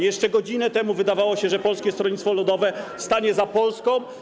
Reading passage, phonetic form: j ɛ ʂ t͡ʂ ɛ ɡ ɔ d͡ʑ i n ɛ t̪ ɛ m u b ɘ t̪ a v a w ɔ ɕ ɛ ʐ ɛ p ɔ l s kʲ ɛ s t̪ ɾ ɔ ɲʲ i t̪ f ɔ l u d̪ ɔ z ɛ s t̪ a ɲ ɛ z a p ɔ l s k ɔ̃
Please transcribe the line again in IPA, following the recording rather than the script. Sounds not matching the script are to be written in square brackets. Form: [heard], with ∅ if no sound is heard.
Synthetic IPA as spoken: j ɛ ʂ t͡ʂ ɛ ɡ ɔ d͡ʑ i n ɛ t̪ ɛ m u [v] ɘ [d̪] a v a w ɔ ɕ ɛ ʐ ɛ p ɔ l s kʲ ɛ s t̪ ɾ ɔ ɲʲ i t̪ f ɔ l u d̪ ɔ [v] ɛ s t̪ a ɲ ɛ z a p ɔ l s k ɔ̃

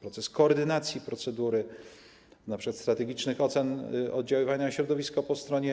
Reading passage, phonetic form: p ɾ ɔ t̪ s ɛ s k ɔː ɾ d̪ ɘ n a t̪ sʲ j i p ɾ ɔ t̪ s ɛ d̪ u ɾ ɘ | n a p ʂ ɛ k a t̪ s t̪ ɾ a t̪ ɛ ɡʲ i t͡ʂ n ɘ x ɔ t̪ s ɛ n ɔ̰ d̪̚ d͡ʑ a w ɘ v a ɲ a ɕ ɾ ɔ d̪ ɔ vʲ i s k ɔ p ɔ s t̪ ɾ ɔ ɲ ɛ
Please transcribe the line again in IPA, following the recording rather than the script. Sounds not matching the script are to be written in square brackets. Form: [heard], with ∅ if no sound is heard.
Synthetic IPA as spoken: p ɾ ɔ t̪ s ɛ s k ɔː ɾ d̪ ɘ n a t̪ sʲ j i p ɾ ɔ t̪ s ɛ d̪ u ɾ ɘ | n a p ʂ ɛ k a t̪ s t̪ ɾ a t̪ ɛ ɡʲ i t͡ʂ n ɘ x ɔ t̪ s ɛ n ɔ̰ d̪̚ d͡ʑ a w ɘ v a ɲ a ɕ ɾ ɔ d̪ ɔ vʲ i s k ɔ p ɔ s t̪ ɾ ɔ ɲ ɛ

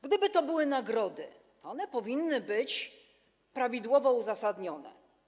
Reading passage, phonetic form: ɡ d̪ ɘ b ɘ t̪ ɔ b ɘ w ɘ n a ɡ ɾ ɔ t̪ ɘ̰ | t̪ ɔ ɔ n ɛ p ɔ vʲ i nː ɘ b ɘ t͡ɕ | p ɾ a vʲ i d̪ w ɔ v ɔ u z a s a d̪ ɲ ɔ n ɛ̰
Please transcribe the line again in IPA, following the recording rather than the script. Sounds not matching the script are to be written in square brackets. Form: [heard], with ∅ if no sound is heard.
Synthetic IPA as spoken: ɡ d̪ ɘ b ɘ t̪ ɔ b ɘ w ɘ n a ɡ ɾ ɔ [d̪] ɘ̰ | t̪ ɔ ɔ n ɛ p ɔ vʲ i nː ɘ b ɘ t͡ɕ | p ɾ a vʲ i d̪ w ɔ v ɔ u z a s a d̪ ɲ ɔ n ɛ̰

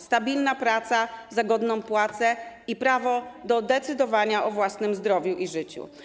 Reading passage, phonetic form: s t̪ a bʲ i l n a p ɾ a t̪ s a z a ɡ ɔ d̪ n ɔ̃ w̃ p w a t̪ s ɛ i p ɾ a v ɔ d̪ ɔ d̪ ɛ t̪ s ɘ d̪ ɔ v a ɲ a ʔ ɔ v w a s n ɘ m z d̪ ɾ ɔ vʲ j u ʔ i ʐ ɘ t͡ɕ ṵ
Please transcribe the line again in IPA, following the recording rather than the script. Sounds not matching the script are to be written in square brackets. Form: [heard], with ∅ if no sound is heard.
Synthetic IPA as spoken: s t̪ a bʲ i l n a p ɾ a t̪ s a z a ɡ ɔ d̪ n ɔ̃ w̃ p w a t̪ s ɛ i p ɾ a v ɔ d̪ ɔ d̪ ɛ t̪ s ɘ d̪ ɔ v a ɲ a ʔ ɔ v w a s n ɘ m z d̪ ɾ ɔ vʲ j u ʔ i ʐ ɘ t͡ɕ ṵ

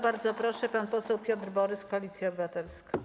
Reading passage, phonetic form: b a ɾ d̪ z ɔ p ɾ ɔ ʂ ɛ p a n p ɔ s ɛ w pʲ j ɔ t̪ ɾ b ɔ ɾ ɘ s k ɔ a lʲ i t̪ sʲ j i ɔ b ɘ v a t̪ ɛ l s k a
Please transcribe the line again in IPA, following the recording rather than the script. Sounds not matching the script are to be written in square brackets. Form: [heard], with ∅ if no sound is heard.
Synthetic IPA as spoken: b a ɾ d̪ z ɔ p ɾ ɔ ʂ ɛ p a n p ɔ s ɛ w pʲ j ɔ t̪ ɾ b ɔ ɾ ɘ s k ɔ a lʲ i t̪ sʲ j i ɔ b ɘ v a t̪ ɛ l s k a

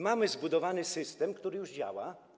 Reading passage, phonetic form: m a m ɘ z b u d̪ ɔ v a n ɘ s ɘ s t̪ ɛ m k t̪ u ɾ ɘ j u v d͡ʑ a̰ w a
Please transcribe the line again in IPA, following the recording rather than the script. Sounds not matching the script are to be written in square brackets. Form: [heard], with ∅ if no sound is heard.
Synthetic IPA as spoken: m a m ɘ z b u d̪ ɔ v a n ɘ s ɘ s t̪ ɛ m k t̪ u ɾ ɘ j u [ʐ] d͡ʑ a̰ w a

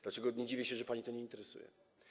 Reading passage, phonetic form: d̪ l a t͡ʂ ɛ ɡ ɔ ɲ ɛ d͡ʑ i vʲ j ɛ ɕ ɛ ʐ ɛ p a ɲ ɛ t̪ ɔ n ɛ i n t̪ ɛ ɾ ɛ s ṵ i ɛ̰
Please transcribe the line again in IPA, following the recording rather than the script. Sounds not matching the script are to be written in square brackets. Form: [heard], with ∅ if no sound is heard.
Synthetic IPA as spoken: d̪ l a t͡ʂ ɛ ɡ ɔ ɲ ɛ d͡ʑ i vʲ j ɛ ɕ ɛ ʐ ɛ p a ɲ [i] t̪ ɔ [ɲ] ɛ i n t̪ ɛ ɾ ɛ s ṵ [j] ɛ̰

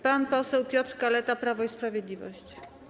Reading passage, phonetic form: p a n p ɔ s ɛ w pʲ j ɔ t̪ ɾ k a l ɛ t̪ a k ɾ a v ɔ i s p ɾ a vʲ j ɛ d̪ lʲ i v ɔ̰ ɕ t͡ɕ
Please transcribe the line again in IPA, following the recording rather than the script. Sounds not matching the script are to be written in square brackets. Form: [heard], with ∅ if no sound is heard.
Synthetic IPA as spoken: p a n p ɔ s ɛ w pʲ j ɔ t̪ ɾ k a l ɛ t̪ a [p] ɾ a v ɔ i s p ɾ a vʲ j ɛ d̪ lʲ i v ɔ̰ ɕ t͡ɕ

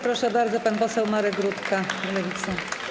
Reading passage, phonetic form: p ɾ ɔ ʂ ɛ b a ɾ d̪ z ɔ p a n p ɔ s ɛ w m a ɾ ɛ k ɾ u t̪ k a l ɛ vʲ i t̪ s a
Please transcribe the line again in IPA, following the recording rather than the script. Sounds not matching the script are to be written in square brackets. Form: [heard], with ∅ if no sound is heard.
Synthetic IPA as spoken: p ɾ ɔ ʂ ɛ b a ɾ d̪ z ɔ p a n p ɔ s ɛ w m a ɾ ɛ [ɡ] ɾ u t̪ k a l ɛ vʲ i t̪ s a

